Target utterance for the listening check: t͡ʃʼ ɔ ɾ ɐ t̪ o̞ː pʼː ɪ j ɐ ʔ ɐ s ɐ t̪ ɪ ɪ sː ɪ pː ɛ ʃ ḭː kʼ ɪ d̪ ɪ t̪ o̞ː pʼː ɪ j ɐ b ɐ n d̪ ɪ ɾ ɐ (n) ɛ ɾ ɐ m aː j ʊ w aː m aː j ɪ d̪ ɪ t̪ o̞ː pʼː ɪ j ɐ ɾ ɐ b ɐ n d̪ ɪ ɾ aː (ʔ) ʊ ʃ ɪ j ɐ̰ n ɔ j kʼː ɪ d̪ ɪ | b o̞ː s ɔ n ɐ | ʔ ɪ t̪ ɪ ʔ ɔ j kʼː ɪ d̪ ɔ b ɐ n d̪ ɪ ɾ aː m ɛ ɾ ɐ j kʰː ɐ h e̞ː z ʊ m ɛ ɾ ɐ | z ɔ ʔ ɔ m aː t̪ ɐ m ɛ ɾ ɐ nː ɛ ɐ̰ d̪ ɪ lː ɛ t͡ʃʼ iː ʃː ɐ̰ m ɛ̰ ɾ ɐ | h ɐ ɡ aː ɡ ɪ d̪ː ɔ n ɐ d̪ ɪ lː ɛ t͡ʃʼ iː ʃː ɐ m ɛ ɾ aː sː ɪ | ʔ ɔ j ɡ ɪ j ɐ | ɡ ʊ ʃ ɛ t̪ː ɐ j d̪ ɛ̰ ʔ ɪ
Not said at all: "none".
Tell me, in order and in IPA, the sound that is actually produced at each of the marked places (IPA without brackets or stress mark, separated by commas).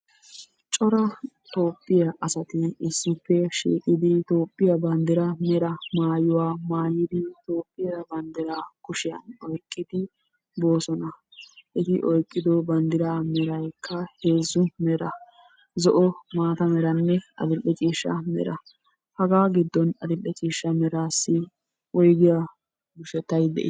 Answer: m, k